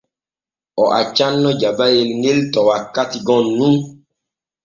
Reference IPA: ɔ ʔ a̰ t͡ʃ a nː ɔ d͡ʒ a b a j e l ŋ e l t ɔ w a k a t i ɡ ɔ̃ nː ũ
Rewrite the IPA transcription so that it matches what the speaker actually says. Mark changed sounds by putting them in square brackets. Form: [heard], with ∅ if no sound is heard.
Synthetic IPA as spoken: ɔ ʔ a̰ t͡ʃ a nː ɔ d͡ʒ a b a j e l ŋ e l t ɔ w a k a t i ɡ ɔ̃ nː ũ

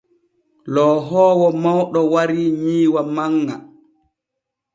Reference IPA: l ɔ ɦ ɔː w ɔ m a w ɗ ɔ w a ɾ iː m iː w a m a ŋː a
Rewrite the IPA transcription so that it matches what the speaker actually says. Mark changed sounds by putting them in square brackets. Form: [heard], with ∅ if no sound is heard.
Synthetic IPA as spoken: l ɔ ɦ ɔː w ɔ m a w ɗ ɔ w a ɾ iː [ɲ] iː w a m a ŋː a

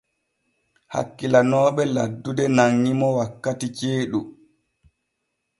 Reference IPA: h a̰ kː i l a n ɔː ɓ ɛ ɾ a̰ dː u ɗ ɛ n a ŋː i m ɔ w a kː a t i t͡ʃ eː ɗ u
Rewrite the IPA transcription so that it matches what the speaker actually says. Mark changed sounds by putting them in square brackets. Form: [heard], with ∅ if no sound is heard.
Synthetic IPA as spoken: h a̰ kː i l a n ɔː ɓ ɛ [l] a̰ dː u [d] ɛ n a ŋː i m ɔ w a kː a t i t͡ʃ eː ɗ u

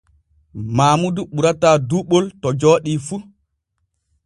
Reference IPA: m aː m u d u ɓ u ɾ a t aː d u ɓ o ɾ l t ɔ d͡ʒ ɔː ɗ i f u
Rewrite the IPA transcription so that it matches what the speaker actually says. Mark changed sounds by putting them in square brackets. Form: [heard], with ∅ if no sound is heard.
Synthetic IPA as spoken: m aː m u d u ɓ u ɾ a t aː d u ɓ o [∅] l t ɔ d͡ʒ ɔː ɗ i f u

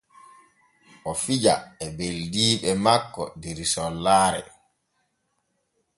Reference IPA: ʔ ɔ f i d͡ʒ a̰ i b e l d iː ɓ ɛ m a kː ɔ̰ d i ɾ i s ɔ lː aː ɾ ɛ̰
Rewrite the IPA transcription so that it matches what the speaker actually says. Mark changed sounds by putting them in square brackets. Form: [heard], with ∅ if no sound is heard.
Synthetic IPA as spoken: ʔ ɔ f i d͡ʒ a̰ [ɛ] b e l d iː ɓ ɛ m a kː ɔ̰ d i ɾ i s ɔ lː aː ɾ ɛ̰

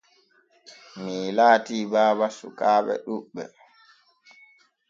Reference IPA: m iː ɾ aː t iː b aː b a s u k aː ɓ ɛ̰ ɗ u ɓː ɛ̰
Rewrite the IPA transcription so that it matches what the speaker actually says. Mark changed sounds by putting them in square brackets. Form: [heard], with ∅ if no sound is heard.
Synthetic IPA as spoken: m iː [l] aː t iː b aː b a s u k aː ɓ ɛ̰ ɗ u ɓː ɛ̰

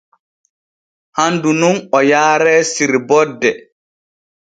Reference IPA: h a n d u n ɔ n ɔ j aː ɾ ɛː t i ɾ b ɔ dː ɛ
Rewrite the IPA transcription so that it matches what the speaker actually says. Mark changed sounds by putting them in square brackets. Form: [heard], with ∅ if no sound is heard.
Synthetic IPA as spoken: h a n d u n [u] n ɔ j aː ɾ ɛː [s] i ɾ b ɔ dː ɛ

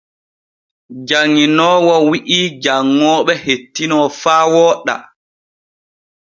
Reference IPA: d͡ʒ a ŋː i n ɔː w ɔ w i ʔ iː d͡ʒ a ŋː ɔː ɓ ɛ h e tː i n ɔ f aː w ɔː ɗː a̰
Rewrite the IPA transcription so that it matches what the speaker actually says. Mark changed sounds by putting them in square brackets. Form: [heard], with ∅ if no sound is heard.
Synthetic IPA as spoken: d͡ʒ a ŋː i n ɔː w ɔ w i ʔ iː d͡ʒ a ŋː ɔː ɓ ɛ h e tː i n ɔ f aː w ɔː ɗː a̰

